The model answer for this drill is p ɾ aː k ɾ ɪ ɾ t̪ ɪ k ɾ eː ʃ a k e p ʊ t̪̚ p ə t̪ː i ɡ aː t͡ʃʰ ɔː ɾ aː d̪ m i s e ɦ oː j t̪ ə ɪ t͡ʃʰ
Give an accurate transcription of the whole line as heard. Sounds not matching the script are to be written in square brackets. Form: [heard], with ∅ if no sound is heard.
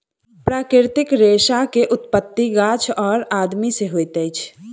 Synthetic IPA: p ɾ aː k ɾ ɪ ɾ t̪ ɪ k ɾ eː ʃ a k e [ʔ] ʊ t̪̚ p ə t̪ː i ɡ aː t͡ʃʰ ɔː ɾ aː d̪ m i s e ɦ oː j t̪ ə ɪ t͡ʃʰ